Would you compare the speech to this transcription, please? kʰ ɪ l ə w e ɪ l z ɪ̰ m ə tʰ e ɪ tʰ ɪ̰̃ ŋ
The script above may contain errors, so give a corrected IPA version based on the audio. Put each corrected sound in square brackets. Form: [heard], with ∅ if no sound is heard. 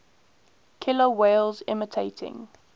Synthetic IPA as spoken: kʰ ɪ l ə w e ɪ l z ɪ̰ m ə tʰ e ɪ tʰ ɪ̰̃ ŋ